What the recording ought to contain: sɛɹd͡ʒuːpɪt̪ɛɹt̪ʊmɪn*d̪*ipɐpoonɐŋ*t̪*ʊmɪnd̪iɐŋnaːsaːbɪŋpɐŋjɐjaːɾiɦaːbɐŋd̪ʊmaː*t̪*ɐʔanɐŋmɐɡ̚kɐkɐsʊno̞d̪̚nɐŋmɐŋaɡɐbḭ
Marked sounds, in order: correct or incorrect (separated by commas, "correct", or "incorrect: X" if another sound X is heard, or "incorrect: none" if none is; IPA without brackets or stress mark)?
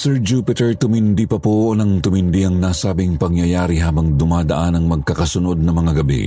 correct, correct, incorrect: d̪